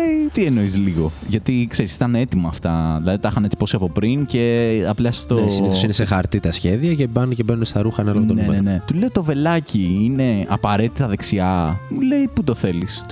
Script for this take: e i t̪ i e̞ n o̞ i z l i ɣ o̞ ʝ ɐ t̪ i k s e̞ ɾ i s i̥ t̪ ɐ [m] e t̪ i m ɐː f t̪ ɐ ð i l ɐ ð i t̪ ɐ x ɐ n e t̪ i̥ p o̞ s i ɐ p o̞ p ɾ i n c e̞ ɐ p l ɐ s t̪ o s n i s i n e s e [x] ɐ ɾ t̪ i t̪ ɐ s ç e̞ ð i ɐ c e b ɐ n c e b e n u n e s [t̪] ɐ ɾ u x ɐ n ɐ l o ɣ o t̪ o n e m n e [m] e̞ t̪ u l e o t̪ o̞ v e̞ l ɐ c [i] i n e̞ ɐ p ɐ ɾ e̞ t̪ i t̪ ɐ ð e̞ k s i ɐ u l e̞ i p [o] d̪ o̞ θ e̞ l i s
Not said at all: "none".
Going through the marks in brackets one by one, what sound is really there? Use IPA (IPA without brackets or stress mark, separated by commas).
n, x, t̪, n, i, u